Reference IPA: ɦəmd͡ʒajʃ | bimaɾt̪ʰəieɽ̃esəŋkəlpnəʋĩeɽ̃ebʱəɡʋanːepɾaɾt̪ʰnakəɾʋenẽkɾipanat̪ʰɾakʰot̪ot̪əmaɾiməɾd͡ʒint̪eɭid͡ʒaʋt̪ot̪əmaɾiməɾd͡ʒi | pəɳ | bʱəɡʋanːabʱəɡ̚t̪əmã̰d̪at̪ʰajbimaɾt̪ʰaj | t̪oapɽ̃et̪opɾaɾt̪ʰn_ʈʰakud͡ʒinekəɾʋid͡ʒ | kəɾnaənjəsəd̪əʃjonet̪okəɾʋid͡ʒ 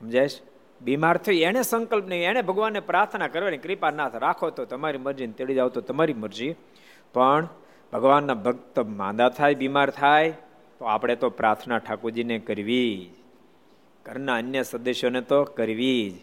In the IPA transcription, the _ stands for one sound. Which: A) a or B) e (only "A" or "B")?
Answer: A